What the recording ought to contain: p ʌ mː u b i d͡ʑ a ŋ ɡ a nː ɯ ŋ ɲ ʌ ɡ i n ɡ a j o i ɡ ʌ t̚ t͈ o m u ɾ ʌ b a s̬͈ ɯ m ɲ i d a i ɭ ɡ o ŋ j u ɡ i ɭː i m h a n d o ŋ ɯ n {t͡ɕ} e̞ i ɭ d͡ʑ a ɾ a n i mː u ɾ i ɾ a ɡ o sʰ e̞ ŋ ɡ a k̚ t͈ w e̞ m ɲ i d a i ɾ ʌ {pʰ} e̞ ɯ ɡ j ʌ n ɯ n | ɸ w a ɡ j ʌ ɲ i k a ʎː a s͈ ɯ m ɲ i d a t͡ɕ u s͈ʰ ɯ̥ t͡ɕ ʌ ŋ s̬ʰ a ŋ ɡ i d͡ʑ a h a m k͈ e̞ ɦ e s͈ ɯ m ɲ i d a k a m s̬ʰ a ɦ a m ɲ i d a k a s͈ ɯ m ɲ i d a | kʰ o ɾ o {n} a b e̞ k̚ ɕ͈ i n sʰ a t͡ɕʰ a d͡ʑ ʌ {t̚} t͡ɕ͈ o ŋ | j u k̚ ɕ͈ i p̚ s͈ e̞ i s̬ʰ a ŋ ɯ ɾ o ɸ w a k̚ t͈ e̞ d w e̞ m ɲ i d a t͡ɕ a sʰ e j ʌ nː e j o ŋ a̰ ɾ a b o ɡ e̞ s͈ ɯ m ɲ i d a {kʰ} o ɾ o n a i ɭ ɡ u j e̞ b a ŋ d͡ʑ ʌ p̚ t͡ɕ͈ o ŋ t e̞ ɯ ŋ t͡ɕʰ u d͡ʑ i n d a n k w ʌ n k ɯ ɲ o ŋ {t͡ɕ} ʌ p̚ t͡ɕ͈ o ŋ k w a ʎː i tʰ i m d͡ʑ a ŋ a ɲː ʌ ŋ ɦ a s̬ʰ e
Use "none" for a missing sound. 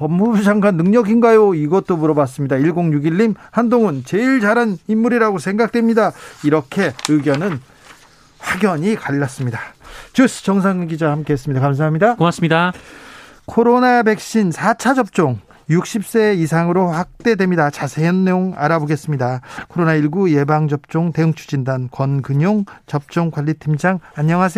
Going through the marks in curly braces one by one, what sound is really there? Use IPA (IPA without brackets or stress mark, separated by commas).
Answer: t͡ɕ, kʰ, n, p̚, kʰ, t͡ɕ